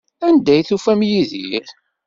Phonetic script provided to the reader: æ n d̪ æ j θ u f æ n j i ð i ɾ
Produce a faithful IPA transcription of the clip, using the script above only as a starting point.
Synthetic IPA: æ n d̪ æ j θ u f æ m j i ð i ɾ